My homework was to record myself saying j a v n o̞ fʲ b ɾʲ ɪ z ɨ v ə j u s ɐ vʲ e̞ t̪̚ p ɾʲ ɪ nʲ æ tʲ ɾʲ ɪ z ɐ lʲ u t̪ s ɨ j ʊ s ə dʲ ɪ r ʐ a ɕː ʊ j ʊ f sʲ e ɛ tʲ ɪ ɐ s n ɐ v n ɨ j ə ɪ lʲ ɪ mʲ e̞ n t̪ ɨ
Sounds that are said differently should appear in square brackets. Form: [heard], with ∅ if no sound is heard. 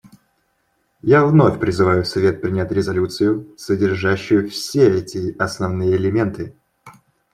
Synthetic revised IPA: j a v n o̞ fʲ [p] ɾʲ ɪ z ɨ v [a] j [ʊ] s ɐ vʲ e̞ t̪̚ p ɾʲ ɪ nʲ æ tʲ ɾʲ ɪ z ɐ lʲ u t̪ s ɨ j ʊ s ə dʲ ɪ r ʐ a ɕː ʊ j ʊ f sʲ e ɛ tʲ ɪ ɐ s n ɐ v n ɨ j ə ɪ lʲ ɪ mʲ e̞ n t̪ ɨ

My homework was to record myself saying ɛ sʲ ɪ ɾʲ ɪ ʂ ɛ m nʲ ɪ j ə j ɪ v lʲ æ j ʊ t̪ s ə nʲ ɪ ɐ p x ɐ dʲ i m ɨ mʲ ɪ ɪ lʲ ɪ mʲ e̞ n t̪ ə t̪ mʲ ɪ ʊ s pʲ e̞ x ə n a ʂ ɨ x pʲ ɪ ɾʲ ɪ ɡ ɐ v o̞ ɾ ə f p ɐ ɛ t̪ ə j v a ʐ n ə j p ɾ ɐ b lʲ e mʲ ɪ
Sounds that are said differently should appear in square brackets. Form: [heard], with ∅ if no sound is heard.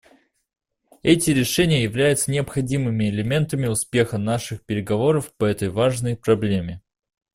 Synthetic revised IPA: ɛ [tʲ] ɪ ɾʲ ɪ ʂ ɛ [∅] nʲ ɪ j ə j ɪ v lʲ æ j ʊ t̪ s ə nʲ ɪ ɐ p x ɐ dʲ i m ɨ mʲ ɪ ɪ lʲ ɪ mʲ e̞ n t̪ ə [∅] mʲ ɪ ʊ s pʲ e̞ x ə n a ʂ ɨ x pʲ ɪ ɾʲ ɪ ɡ ɐ v o̞ ɾ ə f p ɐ ɛ t̪ ə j v a ʐ n ə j p ɾ ɐ b lʲ e mʲ ɪ

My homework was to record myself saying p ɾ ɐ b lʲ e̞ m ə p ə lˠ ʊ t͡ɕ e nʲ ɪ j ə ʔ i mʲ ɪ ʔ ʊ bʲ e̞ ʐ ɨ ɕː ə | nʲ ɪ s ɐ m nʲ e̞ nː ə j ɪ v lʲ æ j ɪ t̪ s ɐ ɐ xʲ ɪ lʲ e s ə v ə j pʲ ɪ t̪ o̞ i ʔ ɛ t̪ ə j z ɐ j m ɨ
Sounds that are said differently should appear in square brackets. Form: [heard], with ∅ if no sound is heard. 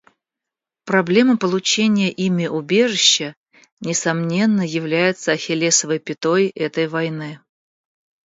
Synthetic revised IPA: p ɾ ɐ b lʲ e̞ m ə p ə lˠ ʊ t͡ɕ e nʲ ɪ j ə ʔ i mʲ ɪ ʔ ʊ bʲ e̞ ʐ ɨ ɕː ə | nʲ ɪ s ɐ m nʲ e̞ nː ə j ɪ v lʲ æ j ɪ t̪ s [ə] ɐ xʲ ɪ lʲ e s ə v ə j pʲ ɪ t̪ o̞ [j] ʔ ɛ t̪ ə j [v] ɐ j [n] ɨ

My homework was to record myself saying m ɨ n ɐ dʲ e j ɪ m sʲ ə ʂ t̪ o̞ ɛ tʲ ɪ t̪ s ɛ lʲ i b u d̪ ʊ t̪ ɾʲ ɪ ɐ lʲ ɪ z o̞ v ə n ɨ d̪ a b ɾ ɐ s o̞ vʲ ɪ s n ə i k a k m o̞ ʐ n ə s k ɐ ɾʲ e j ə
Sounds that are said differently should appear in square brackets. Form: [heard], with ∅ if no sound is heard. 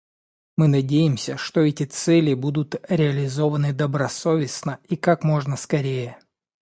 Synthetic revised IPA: m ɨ n ɐ dʲ e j ɪ m sʲ ə ʂ t̪ o̞ ɛ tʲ ɪ t̪ s ɛ lʲ [ɪ] b u d̪ ʊ t̪ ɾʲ ɪ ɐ lʲ ɪ z o̞ v ə n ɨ d̪ [ə] b ɾ ɐ s o̞ vʲ ɪ s n ə i k a k m o̞ ʐ n ə s k ɐ ɾʲ e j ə

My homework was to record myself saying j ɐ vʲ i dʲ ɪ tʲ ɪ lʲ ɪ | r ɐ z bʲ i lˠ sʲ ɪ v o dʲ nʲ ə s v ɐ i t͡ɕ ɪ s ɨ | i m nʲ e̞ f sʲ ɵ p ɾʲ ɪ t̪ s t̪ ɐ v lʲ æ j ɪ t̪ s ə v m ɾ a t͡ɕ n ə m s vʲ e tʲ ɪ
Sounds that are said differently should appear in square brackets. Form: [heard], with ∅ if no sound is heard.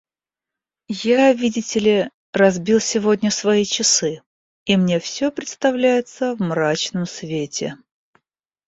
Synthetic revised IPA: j [a] vʲ i dʲ ɪ tʲ ɪ lʲ ɪ | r ɐ z bʲ i lˠ sʲ ɪ v o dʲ nʲ ə s v ɐ i t͡ɕ ɪ s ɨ | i m nʲ e̞ f sʲ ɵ p ɾʲ ɪ t̪ s t̪ ɐ v lʲ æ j ɪ t̪ s ə v m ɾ a t͡ɕ n ə m s vʲ e tʲ ɪ

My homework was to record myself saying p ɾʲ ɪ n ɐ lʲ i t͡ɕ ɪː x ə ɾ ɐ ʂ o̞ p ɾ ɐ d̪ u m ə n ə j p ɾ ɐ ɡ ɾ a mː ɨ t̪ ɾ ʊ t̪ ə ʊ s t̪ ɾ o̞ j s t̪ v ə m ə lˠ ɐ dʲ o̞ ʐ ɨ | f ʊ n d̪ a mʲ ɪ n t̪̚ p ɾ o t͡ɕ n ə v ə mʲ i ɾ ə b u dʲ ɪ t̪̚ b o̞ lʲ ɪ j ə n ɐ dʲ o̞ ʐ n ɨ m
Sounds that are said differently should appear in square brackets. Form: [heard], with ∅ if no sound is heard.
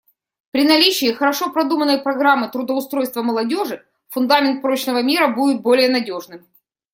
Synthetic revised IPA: p ɾʲ ɪ n ɐ lʲ i t͡ɕ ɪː x ə ɾ ɐ ʂ o̞ p ɾ ɐ d̪ u m ə n ə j p ɾ ɐ ɡ ɾ a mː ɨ t̪ ɾ ʊ [d̪] ə ʊ s t̪ ɾ o̞ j s t̪ v ə m ə lˠ ɐ dʲ o̞ ʐ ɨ | f ʊ n d̪ a mʲ ɪ n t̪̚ p ɾ o t͡ɕ n ə v ə mʲ i ɾ ə b u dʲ ɪ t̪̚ b o̞ lʲ ɪ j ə n ɐ dʲ o̞ ʐ n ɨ m

